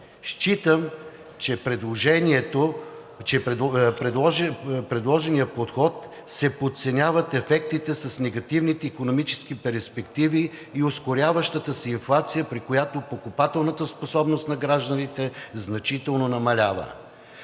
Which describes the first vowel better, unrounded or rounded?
unrounded